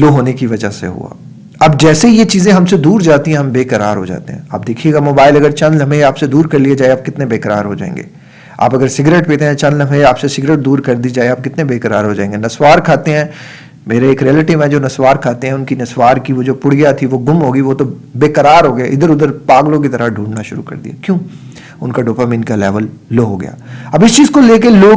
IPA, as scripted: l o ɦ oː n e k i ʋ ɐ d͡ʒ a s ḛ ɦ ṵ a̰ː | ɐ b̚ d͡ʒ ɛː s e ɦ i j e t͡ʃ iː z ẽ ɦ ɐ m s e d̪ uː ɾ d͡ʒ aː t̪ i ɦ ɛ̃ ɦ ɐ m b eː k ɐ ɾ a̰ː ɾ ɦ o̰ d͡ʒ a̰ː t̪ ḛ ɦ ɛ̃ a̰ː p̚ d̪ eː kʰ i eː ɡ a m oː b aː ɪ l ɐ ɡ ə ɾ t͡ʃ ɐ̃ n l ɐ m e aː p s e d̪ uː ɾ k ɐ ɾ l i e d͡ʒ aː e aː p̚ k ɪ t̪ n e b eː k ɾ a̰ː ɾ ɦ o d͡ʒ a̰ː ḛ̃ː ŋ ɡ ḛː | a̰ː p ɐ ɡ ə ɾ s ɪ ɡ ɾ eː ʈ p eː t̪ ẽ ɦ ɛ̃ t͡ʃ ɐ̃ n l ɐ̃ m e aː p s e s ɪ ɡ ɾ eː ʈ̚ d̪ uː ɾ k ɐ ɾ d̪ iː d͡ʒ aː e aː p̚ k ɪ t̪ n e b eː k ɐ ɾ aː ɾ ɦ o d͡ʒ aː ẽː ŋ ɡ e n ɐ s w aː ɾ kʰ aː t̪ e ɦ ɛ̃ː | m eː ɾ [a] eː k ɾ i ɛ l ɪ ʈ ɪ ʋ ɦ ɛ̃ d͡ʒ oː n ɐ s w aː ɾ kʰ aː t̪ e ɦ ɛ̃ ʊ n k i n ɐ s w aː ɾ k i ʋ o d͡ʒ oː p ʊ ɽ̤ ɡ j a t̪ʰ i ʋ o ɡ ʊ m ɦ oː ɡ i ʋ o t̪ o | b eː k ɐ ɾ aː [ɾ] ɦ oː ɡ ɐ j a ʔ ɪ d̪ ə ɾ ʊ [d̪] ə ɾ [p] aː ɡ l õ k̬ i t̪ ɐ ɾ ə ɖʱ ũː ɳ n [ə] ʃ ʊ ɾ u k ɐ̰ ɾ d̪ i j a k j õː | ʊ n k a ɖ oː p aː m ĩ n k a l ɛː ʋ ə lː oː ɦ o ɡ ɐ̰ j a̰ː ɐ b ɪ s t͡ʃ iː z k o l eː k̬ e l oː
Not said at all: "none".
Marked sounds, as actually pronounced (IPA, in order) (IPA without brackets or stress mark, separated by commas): e, ɾ, d̪, p, a